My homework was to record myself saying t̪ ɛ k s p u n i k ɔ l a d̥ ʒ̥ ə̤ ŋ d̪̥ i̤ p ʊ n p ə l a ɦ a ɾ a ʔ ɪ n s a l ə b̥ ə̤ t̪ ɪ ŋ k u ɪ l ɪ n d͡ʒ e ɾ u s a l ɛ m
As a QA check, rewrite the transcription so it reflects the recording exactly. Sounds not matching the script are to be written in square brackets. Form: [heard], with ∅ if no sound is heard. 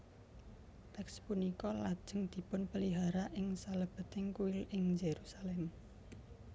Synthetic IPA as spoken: t̪ ɛ k s p u n i k ɔ l a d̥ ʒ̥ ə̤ ŋ d̪̥ i̤ p ʊ n p ə l [i] ɦ a ɾ a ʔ ɪ [ŋ] s a l ə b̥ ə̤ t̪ ɪ ŋ k u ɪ l ɪ [ŋ] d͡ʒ e ɾ u s a l ɛ m